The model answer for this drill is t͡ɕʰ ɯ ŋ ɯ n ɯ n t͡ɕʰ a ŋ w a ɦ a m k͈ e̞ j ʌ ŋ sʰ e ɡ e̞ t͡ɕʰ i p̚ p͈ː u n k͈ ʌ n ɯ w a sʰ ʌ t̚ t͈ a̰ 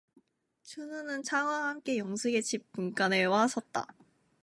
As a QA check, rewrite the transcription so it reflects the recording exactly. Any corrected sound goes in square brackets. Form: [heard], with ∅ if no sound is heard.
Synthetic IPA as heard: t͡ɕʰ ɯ [n] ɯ n ɯ n t͡ɕʰ a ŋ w a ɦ a m k͈ e̞ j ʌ ŋ sʰ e ɡ e̞ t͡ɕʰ i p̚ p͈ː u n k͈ [a] n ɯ w a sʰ ʌ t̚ t͈ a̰